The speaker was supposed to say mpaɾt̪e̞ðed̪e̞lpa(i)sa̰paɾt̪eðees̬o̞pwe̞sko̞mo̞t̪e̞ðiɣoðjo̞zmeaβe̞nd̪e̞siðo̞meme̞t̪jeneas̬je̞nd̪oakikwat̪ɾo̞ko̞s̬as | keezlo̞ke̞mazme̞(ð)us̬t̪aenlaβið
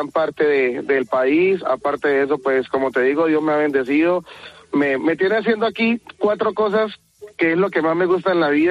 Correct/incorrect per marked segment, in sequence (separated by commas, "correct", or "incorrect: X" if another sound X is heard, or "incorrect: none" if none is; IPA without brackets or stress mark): correct, incorrect: ɣ